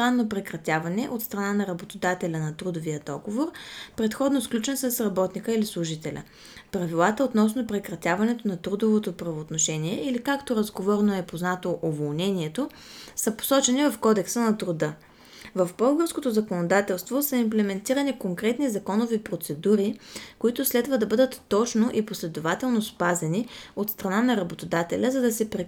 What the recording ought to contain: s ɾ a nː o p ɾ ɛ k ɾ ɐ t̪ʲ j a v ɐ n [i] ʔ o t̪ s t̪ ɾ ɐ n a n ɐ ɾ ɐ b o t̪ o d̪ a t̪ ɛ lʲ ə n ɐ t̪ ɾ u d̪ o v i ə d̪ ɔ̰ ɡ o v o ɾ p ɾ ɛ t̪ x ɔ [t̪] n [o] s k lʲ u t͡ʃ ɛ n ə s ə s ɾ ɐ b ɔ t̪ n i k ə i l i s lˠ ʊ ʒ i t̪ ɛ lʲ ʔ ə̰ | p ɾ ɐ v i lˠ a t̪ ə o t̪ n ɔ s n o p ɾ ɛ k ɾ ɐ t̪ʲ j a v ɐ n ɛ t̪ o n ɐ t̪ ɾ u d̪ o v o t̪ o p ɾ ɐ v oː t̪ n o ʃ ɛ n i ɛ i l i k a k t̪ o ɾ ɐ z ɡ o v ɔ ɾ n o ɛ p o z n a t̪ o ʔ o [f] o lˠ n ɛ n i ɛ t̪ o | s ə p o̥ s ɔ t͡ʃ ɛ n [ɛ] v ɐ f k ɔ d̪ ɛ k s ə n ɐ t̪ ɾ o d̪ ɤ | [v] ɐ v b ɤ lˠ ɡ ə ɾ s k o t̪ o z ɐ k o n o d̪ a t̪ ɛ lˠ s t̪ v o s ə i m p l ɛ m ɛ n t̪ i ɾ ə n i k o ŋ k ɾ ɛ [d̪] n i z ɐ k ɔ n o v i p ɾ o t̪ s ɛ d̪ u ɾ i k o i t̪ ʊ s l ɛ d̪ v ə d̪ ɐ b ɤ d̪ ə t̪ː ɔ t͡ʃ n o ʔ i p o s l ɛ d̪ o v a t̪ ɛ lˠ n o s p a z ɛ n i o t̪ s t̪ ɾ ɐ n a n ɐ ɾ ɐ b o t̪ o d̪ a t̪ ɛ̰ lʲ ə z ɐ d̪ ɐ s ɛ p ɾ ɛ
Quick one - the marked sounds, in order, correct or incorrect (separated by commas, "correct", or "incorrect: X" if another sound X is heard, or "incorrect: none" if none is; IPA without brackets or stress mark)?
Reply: incorrect: ɛ, incorrect: d̪, correct, incorrect: v, incorrect: i, correct, incorrect: t̪